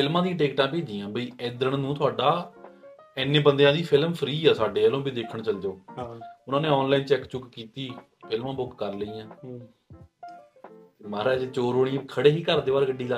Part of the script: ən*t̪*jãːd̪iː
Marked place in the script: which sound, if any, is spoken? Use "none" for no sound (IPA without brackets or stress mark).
d̪